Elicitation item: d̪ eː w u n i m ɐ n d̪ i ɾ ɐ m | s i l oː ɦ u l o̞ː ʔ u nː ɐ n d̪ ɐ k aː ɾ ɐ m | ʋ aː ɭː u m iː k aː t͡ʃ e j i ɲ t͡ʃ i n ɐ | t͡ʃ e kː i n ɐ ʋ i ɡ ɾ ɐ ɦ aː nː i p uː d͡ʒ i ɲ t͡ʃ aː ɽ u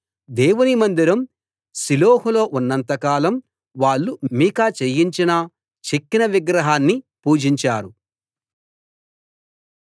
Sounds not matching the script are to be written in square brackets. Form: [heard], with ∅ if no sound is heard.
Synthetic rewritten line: d̪ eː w u n i m ɐ n d̪ i ɾ ɐ m | s i l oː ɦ u l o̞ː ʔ u nː ɐ n [t̪] ɐ k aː [l] ɐ m | ʋ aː ɭː u m iː k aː t͡ʃ e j i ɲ t͡ʃ i n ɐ | t͡ʃ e kː i n ɐ ʋ i ɡ ɾ ɐ ɦ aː nː i p uː d͡ʒ i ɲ t͡ʃ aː [ɾ] u